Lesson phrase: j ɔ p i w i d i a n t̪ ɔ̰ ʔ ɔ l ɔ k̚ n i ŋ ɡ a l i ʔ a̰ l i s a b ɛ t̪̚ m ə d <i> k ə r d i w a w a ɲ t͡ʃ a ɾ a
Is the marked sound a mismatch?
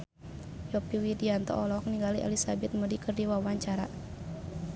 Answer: no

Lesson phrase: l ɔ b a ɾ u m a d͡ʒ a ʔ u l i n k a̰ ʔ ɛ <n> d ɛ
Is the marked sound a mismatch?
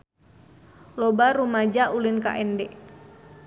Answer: no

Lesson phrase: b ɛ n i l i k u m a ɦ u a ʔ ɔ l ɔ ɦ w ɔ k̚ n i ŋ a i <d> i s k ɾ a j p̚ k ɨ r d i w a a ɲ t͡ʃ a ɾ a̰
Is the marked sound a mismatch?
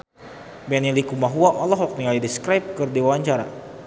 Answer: no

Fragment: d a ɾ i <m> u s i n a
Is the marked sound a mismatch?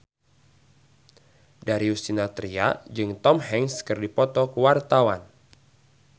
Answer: yes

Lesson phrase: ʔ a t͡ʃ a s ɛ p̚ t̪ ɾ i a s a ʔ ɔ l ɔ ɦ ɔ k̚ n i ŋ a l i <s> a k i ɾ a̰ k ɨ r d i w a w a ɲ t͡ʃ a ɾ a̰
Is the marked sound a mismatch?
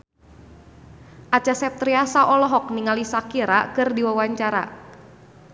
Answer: no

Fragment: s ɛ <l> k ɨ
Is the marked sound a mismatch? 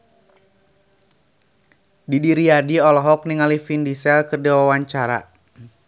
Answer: no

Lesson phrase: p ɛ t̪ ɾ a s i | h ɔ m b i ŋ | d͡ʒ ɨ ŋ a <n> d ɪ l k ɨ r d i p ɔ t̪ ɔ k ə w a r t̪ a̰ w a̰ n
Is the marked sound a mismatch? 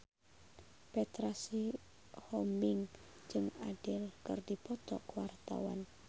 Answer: yes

